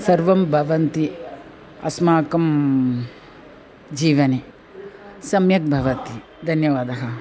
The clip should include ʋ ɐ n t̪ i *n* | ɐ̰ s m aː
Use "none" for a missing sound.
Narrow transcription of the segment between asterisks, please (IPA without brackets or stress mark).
none